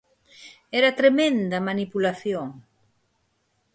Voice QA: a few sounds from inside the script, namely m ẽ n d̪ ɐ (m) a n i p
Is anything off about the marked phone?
no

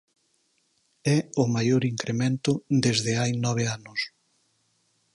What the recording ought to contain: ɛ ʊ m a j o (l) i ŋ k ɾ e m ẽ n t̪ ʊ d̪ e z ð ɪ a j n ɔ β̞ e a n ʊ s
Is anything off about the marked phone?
yes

